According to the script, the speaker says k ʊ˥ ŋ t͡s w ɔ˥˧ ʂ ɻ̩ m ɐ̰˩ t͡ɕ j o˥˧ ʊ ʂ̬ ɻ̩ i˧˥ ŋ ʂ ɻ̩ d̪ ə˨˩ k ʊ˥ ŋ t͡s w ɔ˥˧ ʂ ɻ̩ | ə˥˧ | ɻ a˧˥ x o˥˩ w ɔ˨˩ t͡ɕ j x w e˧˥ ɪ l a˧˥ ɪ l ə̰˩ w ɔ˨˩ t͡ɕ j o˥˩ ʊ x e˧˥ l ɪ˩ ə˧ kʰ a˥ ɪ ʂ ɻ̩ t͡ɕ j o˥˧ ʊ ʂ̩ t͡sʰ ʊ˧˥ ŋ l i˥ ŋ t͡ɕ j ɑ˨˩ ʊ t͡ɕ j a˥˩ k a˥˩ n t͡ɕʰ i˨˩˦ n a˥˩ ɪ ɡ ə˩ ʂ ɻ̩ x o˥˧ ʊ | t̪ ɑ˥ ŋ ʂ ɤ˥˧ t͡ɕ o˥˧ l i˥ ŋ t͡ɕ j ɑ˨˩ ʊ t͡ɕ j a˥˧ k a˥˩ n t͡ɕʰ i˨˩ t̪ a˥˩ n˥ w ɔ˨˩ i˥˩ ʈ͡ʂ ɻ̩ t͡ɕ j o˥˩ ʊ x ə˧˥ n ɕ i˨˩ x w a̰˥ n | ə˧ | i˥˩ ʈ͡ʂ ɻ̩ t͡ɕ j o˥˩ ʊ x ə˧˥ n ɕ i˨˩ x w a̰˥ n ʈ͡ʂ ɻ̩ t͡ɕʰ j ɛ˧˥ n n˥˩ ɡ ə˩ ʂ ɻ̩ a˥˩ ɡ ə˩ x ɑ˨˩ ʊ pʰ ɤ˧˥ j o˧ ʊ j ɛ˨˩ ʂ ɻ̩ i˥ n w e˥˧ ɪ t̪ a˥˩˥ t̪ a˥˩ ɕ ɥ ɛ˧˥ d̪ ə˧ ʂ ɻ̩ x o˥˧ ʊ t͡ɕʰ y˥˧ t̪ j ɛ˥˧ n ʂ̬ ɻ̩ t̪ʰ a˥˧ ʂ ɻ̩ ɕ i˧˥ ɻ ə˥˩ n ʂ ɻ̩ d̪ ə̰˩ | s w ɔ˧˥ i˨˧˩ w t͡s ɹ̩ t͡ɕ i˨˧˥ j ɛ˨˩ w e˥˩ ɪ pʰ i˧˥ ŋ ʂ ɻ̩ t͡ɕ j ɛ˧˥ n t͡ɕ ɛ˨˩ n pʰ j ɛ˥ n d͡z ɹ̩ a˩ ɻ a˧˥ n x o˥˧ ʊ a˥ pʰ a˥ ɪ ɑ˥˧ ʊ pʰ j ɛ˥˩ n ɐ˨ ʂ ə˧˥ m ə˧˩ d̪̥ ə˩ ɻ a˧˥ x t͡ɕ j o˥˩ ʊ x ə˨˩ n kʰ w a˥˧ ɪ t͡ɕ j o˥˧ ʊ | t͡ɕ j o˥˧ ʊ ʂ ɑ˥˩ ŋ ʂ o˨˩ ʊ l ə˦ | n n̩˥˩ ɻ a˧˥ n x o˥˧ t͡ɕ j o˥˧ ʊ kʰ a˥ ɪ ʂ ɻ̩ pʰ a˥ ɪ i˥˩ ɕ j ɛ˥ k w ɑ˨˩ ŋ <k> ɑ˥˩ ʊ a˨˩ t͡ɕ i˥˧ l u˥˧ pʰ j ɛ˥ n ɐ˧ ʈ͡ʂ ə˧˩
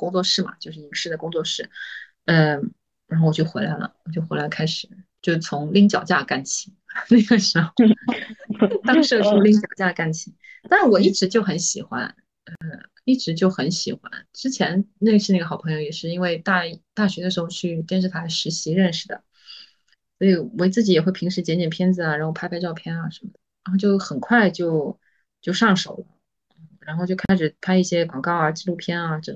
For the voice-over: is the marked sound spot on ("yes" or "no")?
yes